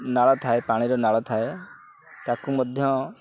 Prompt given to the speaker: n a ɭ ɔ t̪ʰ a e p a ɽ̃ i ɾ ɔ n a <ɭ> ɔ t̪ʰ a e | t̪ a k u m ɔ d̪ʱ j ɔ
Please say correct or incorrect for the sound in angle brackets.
correct